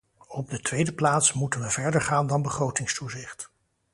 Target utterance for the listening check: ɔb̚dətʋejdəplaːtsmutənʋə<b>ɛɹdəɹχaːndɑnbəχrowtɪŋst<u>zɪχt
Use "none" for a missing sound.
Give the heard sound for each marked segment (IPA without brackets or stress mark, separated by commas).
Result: v, u